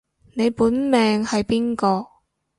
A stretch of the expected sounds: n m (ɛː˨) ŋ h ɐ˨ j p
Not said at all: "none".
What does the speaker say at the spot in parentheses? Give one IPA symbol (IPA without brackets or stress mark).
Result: ɛː˨